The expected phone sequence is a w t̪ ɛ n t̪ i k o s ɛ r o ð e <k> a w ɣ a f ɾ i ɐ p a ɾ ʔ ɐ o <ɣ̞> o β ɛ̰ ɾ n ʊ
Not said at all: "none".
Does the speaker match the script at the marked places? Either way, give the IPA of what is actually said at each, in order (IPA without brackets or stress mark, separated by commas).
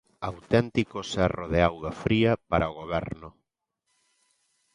none, ɣ̞